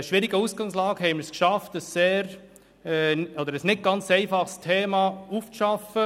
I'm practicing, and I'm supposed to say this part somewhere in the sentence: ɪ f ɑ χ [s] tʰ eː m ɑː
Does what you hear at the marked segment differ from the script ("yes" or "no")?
no